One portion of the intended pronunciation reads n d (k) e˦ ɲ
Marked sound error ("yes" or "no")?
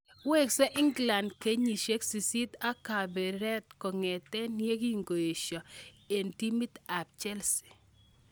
no